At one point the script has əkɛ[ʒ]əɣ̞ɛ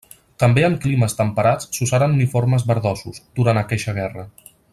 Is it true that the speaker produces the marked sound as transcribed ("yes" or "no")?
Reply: no